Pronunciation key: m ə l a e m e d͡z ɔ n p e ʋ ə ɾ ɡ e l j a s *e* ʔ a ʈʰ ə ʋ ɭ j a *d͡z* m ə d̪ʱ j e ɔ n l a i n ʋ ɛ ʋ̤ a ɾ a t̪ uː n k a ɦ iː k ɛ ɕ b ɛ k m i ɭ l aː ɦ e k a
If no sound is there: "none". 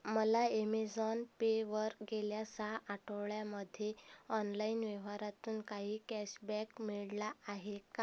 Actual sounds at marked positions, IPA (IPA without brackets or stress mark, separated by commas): a, none